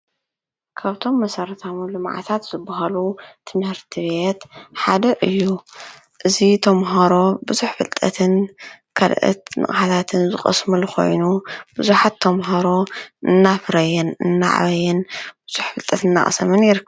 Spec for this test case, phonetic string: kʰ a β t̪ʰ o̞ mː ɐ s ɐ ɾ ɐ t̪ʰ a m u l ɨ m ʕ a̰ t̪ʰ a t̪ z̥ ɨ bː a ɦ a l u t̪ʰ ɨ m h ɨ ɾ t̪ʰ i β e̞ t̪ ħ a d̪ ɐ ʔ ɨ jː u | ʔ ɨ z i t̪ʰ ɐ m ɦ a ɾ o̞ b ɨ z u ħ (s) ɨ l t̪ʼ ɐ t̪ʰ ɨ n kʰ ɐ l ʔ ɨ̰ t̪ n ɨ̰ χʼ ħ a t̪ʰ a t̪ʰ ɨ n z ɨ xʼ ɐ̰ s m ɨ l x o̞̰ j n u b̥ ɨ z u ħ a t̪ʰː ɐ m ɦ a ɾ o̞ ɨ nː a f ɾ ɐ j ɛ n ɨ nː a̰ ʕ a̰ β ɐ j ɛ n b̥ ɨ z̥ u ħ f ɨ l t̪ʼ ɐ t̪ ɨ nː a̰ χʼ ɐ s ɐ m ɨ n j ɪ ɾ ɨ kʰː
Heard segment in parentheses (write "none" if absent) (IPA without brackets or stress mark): f